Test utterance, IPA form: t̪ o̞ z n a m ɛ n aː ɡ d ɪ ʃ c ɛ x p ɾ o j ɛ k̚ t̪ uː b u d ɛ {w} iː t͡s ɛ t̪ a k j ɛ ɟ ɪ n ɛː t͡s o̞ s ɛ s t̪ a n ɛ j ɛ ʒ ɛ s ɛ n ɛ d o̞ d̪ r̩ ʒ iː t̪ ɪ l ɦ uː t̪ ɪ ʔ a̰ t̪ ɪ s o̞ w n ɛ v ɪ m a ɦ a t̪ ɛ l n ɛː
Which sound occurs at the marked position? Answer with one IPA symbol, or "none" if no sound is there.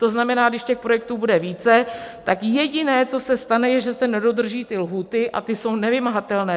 v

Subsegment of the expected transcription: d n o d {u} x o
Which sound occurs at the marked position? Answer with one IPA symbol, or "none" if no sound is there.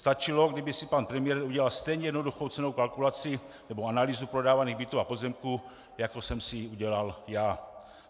u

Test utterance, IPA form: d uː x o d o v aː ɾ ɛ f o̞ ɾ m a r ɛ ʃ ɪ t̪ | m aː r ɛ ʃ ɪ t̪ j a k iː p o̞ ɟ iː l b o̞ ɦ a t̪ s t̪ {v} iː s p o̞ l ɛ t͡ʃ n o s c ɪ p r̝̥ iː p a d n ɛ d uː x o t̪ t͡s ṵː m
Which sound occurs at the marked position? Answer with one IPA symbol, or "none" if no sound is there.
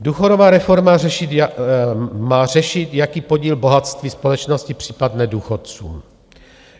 v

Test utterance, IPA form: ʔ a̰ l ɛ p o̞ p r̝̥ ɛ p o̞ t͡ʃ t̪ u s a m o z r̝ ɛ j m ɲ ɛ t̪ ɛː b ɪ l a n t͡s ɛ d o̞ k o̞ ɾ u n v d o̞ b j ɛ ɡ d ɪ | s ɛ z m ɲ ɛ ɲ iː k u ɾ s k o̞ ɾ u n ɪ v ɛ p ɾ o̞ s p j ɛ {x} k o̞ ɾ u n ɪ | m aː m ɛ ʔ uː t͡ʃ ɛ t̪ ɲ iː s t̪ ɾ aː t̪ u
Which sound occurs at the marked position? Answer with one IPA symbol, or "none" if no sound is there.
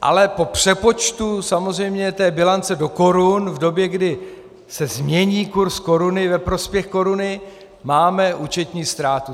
x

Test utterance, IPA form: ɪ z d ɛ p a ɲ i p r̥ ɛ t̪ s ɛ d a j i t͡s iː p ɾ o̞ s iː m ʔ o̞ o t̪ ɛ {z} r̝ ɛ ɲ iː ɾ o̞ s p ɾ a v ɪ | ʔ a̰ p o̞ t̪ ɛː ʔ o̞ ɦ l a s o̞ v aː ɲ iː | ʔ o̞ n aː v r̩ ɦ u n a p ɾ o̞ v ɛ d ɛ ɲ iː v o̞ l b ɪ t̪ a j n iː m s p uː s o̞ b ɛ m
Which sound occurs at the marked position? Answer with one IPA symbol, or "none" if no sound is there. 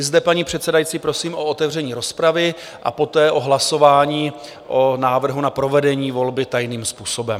v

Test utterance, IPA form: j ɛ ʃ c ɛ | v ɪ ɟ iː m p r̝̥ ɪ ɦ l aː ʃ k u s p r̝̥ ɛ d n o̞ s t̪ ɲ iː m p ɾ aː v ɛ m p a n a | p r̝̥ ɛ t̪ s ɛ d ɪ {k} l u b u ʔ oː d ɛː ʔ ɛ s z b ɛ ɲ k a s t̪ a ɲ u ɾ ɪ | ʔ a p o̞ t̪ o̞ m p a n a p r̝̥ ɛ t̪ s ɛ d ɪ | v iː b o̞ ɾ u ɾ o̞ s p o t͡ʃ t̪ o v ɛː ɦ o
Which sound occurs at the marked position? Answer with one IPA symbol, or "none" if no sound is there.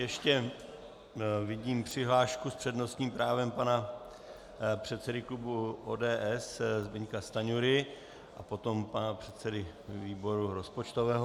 k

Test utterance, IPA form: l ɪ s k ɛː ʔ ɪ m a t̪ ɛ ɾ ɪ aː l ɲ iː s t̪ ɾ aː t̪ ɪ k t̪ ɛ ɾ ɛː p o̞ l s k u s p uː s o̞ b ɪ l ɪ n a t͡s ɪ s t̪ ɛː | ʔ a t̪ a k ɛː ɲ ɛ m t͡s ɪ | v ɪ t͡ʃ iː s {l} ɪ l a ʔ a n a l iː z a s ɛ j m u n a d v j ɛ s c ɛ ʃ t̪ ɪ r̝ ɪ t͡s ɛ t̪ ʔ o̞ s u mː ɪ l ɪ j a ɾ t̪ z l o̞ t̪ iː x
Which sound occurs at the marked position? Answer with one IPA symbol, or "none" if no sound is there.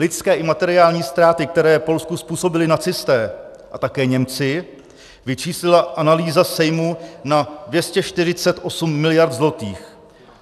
l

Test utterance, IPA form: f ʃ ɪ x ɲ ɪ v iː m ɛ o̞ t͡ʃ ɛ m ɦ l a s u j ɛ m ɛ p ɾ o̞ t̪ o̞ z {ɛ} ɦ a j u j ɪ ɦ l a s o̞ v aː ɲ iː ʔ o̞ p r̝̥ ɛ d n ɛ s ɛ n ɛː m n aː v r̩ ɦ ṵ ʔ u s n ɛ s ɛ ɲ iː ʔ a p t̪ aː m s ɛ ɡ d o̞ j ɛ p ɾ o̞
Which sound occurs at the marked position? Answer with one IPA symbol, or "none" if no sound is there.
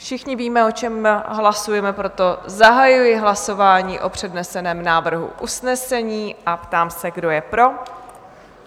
a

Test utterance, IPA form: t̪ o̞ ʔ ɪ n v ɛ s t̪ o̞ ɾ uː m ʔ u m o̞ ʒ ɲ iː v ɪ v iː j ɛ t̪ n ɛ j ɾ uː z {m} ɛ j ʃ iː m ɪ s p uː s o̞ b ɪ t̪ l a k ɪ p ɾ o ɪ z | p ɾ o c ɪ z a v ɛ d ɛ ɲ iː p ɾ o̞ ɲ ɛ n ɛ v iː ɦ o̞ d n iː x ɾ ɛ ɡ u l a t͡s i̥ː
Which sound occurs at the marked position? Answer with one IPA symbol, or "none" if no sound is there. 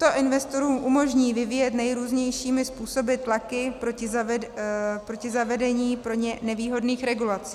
ɲ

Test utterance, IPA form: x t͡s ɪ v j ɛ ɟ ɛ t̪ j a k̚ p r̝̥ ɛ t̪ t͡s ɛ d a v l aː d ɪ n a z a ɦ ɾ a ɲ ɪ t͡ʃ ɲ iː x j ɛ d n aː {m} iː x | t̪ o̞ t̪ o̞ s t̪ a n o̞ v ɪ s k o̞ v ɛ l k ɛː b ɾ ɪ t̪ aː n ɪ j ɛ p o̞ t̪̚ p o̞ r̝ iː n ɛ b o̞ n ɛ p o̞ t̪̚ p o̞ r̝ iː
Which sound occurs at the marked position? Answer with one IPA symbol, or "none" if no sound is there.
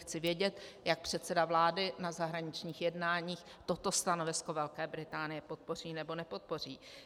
ɲ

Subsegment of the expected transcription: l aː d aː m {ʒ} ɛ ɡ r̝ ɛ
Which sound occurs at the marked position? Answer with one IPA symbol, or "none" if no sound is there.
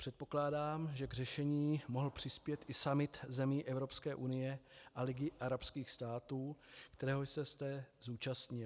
ʒ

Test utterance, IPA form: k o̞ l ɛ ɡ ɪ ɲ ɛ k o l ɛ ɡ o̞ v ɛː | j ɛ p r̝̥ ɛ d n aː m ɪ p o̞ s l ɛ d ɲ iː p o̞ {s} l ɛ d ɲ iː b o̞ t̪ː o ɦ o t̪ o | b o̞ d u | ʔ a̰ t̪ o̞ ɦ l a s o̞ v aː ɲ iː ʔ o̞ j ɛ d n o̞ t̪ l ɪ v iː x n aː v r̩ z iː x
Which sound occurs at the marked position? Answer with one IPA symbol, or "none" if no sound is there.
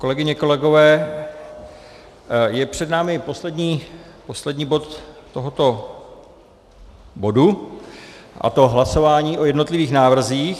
s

